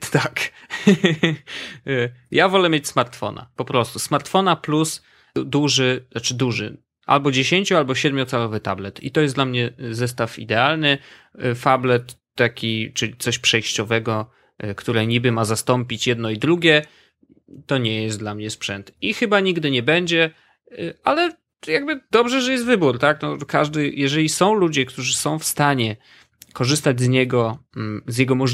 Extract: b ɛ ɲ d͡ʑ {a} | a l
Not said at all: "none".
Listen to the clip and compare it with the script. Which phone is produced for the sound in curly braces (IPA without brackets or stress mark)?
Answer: ɛ